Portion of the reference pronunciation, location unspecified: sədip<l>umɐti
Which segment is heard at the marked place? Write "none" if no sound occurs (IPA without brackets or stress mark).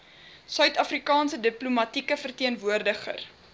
l